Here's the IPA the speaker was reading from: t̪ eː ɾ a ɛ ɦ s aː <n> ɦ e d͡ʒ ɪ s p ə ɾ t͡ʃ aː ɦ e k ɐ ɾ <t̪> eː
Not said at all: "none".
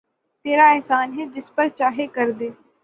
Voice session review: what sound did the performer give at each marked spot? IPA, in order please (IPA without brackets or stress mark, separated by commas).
n, d̪